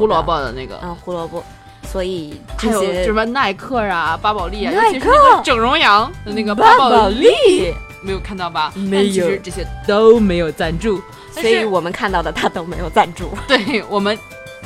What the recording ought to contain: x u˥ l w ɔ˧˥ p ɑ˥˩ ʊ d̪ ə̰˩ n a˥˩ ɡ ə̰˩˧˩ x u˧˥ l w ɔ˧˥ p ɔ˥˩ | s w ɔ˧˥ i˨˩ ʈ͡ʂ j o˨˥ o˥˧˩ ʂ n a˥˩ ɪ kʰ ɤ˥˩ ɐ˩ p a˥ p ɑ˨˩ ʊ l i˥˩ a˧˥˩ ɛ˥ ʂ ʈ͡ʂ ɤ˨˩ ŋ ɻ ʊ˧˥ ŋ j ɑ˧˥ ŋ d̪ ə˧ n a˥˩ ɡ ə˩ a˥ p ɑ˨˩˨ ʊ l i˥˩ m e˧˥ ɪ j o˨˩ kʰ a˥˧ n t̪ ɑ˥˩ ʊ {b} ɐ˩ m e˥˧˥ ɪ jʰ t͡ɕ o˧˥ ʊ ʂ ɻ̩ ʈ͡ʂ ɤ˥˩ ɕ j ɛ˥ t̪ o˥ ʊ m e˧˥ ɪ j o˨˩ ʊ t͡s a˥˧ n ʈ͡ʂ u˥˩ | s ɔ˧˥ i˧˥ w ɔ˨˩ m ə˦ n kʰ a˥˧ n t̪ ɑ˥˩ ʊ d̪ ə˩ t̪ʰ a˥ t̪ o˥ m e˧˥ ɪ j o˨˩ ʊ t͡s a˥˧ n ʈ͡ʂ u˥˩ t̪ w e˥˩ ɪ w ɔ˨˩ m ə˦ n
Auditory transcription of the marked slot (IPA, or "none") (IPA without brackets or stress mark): b